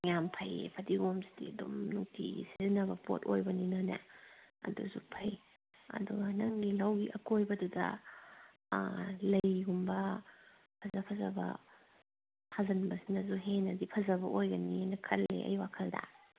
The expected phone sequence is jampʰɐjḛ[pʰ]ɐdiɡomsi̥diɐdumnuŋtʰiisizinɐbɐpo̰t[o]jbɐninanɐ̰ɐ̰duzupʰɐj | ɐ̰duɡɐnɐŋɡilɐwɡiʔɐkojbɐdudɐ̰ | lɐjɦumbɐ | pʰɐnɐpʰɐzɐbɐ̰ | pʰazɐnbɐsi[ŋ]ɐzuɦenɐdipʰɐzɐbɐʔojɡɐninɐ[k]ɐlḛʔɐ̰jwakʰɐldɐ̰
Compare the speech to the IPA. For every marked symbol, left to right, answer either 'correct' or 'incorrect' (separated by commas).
correct, correct, incorrect, incorrect